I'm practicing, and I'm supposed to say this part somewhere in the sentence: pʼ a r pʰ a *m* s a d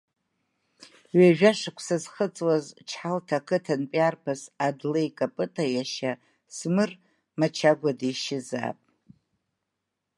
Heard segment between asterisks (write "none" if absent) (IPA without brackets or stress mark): none